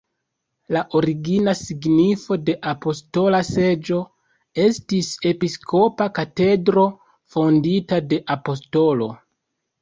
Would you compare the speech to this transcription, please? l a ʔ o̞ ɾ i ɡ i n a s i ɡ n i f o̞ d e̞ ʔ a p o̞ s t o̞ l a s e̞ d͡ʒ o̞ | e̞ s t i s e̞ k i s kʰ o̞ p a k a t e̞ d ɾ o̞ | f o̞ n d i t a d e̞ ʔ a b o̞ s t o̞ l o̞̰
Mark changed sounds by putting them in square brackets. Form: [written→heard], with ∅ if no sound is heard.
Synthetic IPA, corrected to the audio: l a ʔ o̞ ɾ i ɡ i n a s i ɡ n i f o̞ d e̞ ʔ a p o̞ s t o̞ l a s e̞ d͡ʒ o̞ | e̞ s t i s e̞ [k→p] i s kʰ o̞ p a k a t e̞ d ɾ o̞ | f o̞ n d i t a d e̞ ʔ a [b→p] o̞ s t o̞ l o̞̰